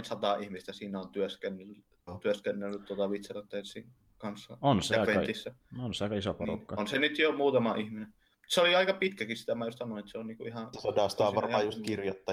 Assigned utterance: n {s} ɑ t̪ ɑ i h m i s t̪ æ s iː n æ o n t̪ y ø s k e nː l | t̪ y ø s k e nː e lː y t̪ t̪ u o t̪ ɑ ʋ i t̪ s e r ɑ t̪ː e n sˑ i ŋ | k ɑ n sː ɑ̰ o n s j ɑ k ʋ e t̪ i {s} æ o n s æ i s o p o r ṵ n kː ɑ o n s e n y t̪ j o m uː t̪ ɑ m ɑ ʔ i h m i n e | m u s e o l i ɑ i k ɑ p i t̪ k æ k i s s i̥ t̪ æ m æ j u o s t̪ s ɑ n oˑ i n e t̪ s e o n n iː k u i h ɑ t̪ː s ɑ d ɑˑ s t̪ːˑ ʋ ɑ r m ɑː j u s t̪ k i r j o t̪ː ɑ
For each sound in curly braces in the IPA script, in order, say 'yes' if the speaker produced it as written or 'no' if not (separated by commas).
yes, no